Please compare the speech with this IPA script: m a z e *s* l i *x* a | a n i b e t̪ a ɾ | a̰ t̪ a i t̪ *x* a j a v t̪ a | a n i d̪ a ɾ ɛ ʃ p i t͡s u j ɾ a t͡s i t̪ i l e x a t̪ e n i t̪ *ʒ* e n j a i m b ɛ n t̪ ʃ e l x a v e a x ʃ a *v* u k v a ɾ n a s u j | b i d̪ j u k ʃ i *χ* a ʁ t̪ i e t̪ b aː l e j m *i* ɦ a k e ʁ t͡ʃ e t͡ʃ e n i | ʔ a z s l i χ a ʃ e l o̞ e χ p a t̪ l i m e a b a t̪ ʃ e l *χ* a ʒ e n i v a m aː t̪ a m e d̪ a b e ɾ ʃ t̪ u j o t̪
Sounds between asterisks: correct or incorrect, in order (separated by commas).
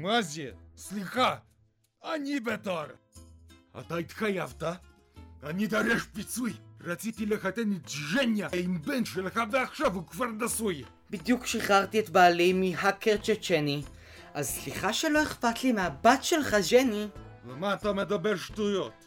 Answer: correct, correct, correct, correct, correct, correct, correct, correct